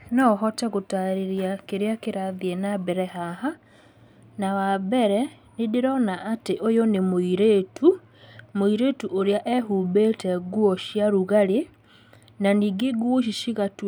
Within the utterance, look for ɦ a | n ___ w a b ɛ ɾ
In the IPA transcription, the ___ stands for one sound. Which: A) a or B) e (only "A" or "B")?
A